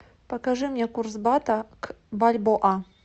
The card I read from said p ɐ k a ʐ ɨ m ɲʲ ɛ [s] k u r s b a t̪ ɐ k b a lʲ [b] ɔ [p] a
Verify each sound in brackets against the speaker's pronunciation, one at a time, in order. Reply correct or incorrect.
incorrect, correct, incorrect

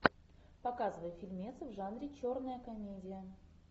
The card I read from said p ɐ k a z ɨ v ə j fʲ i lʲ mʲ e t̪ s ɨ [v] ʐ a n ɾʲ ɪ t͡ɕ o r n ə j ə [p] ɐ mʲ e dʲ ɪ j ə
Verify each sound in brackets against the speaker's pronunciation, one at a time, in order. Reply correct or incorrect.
correct, incorrect

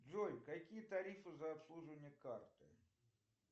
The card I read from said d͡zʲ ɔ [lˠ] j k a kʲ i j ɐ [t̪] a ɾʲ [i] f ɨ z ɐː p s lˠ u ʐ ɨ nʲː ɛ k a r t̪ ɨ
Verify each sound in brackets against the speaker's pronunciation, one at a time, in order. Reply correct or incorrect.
incorrect, correct, correct

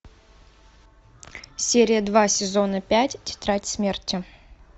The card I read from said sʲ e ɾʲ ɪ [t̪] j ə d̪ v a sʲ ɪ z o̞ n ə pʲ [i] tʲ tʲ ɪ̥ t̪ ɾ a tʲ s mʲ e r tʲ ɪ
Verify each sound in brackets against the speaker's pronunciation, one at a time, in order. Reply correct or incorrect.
incorrect, incorrect

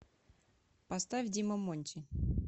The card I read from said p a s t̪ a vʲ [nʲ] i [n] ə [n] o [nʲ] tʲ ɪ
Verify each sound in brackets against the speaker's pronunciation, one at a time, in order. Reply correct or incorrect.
incorrect, incorrect, incorrect, correct

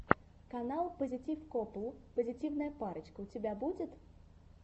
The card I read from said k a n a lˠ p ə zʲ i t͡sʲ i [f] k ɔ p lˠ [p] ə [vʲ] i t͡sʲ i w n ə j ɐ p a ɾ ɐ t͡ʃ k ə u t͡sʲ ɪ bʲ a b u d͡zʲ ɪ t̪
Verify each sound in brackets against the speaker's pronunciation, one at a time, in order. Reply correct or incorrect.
correct, correct, incorrect

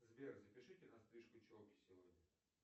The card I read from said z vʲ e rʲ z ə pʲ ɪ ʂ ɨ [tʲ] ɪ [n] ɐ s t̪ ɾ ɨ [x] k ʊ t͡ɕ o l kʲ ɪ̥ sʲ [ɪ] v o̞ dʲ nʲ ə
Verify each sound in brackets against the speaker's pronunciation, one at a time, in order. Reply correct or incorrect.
correct, correct, incorrect, correct

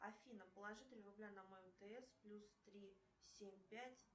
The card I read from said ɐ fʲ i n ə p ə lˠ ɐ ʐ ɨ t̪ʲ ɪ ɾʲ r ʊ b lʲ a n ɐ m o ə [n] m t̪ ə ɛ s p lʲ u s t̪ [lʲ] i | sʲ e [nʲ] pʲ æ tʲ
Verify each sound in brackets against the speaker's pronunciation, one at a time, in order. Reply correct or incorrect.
incorrect, incorrect, incorrect

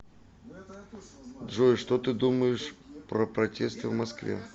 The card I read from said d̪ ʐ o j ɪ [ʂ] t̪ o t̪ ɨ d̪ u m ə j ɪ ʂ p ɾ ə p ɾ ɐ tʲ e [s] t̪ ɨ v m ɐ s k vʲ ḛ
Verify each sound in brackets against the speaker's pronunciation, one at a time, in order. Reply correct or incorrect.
correct, correct

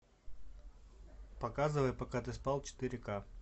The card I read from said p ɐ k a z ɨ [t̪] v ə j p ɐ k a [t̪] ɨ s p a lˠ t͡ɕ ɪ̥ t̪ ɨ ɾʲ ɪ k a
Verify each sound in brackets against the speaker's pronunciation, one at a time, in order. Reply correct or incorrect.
incorrect, correct

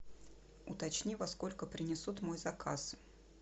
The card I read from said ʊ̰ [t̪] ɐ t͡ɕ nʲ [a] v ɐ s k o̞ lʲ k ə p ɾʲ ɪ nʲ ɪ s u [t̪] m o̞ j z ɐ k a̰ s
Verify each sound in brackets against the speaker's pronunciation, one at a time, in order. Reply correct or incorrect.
correct, incorrect, correct

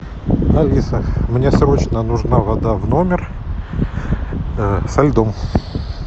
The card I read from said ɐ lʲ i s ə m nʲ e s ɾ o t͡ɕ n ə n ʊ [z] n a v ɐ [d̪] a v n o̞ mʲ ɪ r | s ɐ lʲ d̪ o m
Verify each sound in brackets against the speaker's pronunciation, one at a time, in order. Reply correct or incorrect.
incorrect, correct

